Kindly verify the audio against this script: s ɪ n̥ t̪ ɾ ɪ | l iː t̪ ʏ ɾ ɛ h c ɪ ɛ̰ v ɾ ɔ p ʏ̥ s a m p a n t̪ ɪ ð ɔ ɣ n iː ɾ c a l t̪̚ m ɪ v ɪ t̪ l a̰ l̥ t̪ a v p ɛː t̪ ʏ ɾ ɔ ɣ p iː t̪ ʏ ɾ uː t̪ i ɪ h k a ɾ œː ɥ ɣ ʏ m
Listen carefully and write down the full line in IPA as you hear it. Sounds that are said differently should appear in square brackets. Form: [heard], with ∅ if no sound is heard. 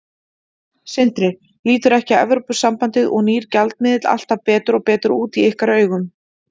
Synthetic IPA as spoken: s ɪ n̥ t̪ ɾ ɪ | l iː t̪ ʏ ɾ ɛ h c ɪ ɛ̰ v ɾ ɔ p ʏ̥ s a m p a n t̪ ɪ ð ɔ ɣ n iː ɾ c a l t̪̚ m ɪ [ð] ɪ t̪ l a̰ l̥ t̪ a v p ɛː t̪ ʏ ɾ ɔ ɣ p [ɛː] t̪ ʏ ɾ uː t̪ i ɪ h k a ɾ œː ɥ ɣ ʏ m